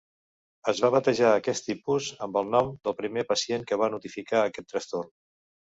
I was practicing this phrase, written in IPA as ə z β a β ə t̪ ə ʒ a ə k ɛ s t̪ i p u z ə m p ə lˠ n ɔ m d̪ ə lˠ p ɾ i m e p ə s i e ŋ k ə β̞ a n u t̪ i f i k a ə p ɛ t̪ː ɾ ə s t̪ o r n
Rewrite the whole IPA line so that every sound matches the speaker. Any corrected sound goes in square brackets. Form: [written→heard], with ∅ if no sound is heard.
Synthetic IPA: ə z β a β ə t̪ ə ʒ a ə k ɛ s t̪ i p u z ə m [p→b] ə lˠ n ɔ m d̪ ə lˠ p ɾ i m e p ə s i e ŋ k ə β̞ a n u t̪ i f i k a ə [p→k] ɛ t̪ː ɾ ə s t̪ o r n